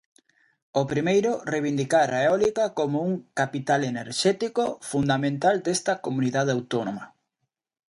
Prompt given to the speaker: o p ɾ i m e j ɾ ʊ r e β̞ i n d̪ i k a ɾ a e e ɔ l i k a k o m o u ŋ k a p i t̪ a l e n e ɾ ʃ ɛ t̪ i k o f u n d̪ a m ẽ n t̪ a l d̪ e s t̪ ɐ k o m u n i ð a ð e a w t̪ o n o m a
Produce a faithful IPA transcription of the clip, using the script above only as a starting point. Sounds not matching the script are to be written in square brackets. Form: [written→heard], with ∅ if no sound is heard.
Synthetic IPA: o p ɾ i m e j ɾ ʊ r e β̞ i n d̪ i k a ɾ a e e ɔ l i k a k o m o u ŋ k a p i t̪ a l e n e ɾ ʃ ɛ t̪ i k o f u n d̪ a m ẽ n t̪ a l d̪ e s t̪ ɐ k o m u n i ð a ð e a w t̪ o n o m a

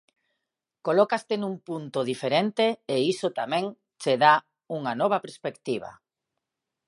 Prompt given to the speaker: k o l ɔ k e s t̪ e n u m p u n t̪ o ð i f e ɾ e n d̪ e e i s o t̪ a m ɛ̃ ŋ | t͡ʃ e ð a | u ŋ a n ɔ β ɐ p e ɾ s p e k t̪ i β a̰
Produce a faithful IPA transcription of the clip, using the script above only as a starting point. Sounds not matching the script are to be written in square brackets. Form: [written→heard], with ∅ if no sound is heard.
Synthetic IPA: k o l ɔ k [e→a] s t̪ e n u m p u n t̪ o ð i f e ɾ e n [d̪→t̪] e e i s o t̪ a m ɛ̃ ŋ | t͡ʃ e ð a | u ŋ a n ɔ β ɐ p e ɾ s p e k t̪ i β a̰

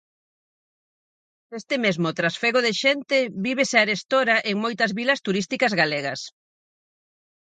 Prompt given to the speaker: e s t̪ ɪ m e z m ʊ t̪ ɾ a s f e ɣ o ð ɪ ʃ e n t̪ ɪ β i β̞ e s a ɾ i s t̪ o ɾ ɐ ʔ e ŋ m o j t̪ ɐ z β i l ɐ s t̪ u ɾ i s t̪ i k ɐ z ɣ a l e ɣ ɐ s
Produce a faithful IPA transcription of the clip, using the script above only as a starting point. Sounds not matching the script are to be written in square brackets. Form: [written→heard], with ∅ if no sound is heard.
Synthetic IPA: e s t̪ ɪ m e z m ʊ t̪ ɾ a s f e ɣ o ð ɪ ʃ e n t̪ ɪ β i β̞ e s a ɾ [i→e] s t̪ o ɾ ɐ ʔ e ŋ m o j t̪ ɐ z β i l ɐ s t̪ u ɾ i s t̪ i k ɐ z ɣ a l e ɣ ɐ s

